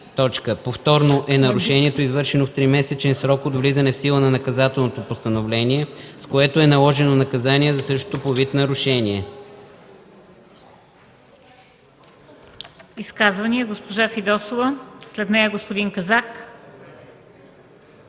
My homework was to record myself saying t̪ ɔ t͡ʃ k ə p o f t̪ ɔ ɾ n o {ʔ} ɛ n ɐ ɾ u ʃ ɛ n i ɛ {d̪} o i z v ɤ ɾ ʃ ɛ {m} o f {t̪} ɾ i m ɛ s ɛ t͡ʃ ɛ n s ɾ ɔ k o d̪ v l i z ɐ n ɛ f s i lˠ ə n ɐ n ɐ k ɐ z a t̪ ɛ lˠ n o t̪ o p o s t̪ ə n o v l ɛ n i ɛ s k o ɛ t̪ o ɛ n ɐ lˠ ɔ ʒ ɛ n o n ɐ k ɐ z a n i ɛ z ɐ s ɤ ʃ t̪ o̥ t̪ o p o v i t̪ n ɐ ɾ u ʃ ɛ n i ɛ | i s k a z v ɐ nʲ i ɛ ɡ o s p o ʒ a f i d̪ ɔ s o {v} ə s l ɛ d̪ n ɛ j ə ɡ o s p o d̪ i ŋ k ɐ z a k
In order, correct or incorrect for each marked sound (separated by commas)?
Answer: correct, incorrect, incorrect, correct, correct